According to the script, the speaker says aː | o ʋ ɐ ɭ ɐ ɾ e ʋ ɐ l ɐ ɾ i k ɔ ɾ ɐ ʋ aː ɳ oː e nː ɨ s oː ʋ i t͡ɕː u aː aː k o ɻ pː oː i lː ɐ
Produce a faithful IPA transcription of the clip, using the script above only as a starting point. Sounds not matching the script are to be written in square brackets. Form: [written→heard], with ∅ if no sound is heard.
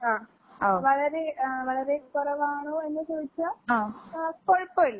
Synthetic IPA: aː | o ʋ ɐ ɭ ɐ ɾ e ʋ ɐ [l→ɭ] ɐ ɾ [i→e] k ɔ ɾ ɐ ʋ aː ɳ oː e nː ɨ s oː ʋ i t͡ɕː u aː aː k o ɻ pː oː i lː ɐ